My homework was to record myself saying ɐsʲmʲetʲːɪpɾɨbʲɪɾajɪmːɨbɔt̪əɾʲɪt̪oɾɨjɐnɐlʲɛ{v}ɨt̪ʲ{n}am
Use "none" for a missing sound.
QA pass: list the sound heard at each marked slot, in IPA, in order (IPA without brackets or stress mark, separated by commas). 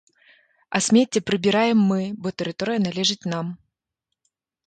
ʐ, n